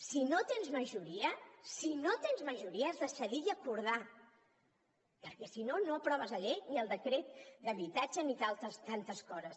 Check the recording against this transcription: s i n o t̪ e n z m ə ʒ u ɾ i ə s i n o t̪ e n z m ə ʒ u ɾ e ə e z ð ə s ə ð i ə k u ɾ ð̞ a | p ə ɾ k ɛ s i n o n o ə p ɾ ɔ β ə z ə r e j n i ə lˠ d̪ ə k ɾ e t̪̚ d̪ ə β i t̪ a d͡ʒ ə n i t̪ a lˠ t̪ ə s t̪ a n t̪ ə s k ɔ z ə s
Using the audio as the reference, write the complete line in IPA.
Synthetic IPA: s i n o t̪ e n z m ə ʒ u ɾ i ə s i n o t̪ e n z m ə ʒ u ɾ i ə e z ð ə s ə ð i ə k u ɾ ð̞ a | p ə ɾ k ɛ s i n o n o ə p ɾ ɔ β ə z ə ʎ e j n i ə lˠ d̪ ə k ɾ e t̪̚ d̪ ə β i t̪ a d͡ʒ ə n i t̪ a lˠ t̪ ə s t̪ a n t̪ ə s k ɔ z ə s